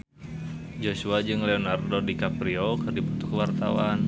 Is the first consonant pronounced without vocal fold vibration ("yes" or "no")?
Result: no